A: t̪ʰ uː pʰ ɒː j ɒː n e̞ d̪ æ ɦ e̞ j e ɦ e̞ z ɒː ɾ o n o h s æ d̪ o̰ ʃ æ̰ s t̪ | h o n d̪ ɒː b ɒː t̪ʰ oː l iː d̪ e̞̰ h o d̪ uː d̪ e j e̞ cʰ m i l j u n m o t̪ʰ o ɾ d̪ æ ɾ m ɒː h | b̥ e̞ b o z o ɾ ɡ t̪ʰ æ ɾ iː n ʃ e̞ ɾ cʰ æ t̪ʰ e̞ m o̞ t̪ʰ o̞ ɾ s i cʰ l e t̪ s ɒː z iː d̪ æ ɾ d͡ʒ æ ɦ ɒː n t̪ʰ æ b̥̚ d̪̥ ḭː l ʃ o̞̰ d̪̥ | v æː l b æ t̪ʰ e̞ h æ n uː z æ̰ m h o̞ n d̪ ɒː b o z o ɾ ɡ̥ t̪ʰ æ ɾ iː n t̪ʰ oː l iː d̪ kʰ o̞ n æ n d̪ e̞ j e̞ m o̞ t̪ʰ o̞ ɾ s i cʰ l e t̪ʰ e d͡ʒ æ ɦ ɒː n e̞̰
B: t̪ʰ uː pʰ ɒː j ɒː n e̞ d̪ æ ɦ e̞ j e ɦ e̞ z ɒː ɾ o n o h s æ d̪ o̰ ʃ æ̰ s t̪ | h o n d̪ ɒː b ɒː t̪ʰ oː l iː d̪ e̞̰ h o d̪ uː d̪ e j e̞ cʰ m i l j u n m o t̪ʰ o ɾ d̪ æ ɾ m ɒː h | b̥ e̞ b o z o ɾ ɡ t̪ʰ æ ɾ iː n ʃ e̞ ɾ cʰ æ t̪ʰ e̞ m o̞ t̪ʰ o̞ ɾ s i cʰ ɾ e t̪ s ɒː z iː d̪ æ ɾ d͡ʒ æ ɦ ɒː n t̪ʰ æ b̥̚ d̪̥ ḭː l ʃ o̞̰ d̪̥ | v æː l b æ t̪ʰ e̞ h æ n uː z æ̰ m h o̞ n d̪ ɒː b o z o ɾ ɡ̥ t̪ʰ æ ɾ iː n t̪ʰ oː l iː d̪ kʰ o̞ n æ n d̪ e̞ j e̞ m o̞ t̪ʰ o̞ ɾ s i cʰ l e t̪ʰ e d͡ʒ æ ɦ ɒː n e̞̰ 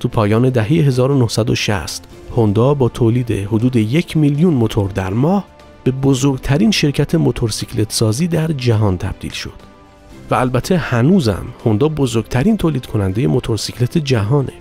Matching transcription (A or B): A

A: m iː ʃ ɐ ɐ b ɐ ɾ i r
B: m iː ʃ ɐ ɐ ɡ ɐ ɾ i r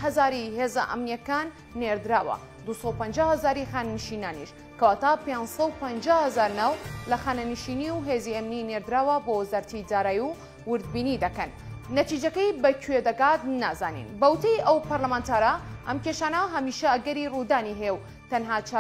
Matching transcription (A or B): B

